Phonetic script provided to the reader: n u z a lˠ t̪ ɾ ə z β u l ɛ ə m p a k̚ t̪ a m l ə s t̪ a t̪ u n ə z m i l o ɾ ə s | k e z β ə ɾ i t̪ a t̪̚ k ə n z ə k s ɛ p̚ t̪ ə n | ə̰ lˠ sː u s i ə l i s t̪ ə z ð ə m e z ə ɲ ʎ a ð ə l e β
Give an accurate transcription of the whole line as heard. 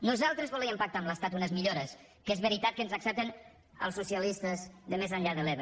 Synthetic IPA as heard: n u z a lˠ t̪ ɾ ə z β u l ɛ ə m p a k̚ t̪ a m l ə s t̪ a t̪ u n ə z m i ʎ o ɾ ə s | k e z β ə ɾ i t̪ a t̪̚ k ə n z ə k s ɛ p̚ t̪ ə n | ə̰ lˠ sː u s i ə l i s t̪ ə z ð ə m e z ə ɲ ʎ a ð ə l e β